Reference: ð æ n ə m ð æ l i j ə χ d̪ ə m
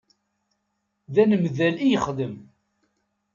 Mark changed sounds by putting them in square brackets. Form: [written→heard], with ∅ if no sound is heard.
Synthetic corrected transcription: ð æ n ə m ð æ l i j ə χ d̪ ə m